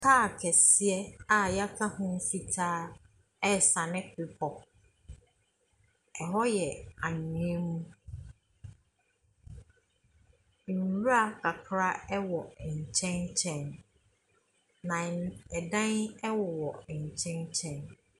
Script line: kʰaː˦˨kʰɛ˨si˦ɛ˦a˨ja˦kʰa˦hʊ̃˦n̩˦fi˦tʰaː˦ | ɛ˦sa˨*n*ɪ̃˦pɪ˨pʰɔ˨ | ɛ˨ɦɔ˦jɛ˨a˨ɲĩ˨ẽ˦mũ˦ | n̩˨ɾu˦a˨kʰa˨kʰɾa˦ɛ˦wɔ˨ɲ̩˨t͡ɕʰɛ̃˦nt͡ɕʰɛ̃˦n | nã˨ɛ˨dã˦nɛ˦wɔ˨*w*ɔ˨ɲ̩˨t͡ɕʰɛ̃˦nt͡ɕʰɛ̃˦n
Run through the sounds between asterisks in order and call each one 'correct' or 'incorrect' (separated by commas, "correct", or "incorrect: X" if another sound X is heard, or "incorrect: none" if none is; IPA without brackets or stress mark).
correct, correct